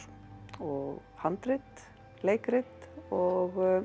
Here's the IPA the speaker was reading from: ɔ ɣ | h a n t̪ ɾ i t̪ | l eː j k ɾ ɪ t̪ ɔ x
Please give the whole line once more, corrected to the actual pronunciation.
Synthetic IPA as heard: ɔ ɣ | h a n t̪ ɾ ɪ t̪ | l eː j k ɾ ɪ t̪ ɔ ɣ